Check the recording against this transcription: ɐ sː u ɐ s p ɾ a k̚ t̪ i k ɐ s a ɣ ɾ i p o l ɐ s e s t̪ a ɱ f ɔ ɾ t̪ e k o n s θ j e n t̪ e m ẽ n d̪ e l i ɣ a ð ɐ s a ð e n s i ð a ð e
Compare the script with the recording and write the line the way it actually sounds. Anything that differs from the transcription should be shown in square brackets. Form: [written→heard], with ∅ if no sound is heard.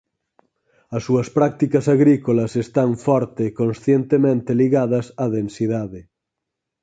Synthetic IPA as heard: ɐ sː u ɐ s p ɾ a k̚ t̪ i k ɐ s a ɣ ɾ i [p→k] o l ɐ s e s t̪ a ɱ f ɔ ɾ t̪ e k o n s θ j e n t̪ e m ẽ n [d̪→t̪] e l i ɣ a ð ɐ s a ð e n s i ð a ð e